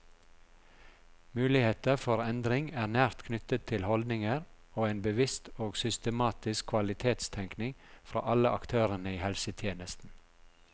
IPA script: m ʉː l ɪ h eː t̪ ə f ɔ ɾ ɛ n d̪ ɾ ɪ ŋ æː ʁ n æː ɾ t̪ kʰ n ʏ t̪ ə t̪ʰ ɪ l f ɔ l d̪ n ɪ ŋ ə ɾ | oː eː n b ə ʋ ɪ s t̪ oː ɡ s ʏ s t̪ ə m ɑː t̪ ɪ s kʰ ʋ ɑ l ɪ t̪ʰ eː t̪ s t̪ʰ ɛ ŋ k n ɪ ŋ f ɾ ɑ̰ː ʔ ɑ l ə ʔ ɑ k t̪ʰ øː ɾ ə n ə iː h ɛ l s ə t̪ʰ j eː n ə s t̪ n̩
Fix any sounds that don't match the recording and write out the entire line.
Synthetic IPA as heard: m ʉː l ɪ h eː t̪ ə f ɔ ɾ ɛ n d̪ ɾ ɪ ŋ æː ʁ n æː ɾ t̪ kʰ n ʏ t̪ ə t̪ʰ ɪ l h ɔ l d̪ n ɪ ŋ ə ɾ | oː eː n b ə ʋ ɪ s t̪ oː ɡ s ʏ s t̪ ə m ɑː t̪ ɪ s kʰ ʋ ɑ l ɪ t̪ʰ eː t̪ s t̪ʰ ɛ ŋ k n ɪ ŋ f ɾ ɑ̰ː ʔ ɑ l ə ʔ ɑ k t̪ʰ øː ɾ ə n ə iː h ɛ l s ə t̪ʰ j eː n ə s t̪ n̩